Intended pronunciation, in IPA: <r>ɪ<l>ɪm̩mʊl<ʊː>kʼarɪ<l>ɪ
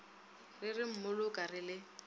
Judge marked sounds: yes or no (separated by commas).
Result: yes, no, no, yes